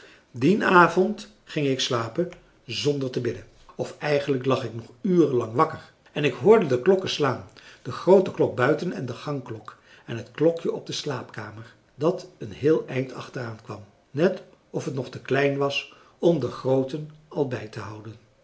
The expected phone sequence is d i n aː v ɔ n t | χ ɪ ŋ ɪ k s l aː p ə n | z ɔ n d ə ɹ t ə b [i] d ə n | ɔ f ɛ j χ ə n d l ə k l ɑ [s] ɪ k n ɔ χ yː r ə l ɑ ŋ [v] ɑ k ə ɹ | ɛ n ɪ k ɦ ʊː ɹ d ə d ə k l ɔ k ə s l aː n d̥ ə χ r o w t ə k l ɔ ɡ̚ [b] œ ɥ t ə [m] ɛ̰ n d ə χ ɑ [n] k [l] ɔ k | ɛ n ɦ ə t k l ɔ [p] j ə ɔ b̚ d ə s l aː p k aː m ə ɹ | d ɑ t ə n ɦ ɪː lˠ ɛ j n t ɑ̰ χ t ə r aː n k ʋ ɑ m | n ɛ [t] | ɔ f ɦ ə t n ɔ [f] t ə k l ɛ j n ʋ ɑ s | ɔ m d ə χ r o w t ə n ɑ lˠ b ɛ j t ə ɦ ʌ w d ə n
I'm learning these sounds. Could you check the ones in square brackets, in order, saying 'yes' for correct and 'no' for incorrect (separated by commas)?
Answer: no, no, no, yes, no, no, yes, no, yes, no